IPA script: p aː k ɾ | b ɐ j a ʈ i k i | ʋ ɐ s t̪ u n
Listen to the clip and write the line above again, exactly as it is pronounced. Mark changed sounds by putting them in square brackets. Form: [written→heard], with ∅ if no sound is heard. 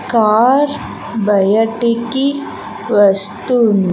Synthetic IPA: [p→k] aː [k→∅] ɾ | b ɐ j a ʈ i k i | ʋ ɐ s t̪ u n